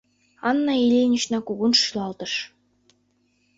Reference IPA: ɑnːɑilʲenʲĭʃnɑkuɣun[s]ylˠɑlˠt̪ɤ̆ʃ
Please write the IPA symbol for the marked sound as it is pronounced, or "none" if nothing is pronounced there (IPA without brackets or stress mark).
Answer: ʃ